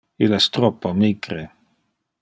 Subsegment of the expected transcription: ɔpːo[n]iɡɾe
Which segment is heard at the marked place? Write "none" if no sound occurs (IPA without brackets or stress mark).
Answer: m